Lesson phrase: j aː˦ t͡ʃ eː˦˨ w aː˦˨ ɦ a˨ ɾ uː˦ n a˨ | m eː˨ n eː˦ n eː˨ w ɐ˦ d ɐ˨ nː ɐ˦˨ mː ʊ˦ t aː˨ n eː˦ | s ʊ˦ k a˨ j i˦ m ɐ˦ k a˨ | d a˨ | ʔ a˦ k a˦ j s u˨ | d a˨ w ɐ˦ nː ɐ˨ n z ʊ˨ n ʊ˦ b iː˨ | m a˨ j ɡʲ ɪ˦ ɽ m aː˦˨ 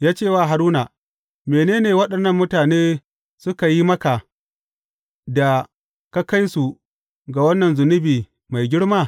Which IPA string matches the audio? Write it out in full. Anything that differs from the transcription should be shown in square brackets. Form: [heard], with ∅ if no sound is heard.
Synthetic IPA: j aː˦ t͡ʃ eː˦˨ w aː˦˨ ɦ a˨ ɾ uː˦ n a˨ | m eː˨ n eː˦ n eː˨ w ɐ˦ [ɗ] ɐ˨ nː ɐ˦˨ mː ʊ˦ t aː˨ n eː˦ | s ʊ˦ k a˨ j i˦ m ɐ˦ k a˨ | d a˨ | [k] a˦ k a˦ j s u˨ | [ɡ] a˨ w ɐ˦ nː ɐ˨ n z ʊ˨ n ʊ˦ b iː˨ | m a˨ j ɡʲ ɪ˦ ɽ m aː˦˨